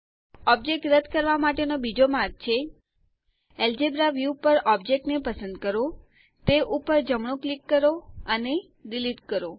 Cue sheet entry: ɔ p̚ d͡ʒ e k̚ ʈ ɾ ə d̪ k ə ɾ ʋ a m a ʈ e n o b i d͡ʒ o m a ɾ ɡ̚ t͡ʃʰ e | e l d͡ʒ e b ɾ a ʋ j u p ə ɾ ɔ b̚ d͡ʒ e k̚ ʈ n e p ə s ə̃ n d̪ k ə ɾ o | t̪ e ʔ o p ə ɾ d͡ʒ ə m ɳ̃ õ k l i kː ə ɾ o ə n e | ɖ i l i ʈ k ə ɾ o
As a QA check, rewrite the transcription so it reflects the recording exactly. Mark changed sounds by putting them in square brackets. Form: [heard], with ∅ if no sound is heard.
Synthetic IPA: ɔ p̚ d͡ʒ e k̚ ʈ ɾ ə d̪ k ə ɾ ʋ a m a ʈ e n o b i d͡ʒ o m a ɾ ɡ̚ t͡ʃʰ e | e l d͡ʒ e b ɾ a ʋ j u p ə ɾ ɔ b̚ d͡ʒ e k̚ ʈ n e p ə s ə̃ n d̪ k ə ɾ o | t̪ e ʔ [u] p ə ɾ d͡ʒ ə m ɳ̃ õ k l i kː ə ɾ o ə n e | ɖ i l i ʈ k ə ɾ o